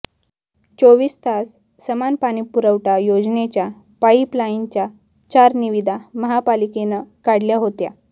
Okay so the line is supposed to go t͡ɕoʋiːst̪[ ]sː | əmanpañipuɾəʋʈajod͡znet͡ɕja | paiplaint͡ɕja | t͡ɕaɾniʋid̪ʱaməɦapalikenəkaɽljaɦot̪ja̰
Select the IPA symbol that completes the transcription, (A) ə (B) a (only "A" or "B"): B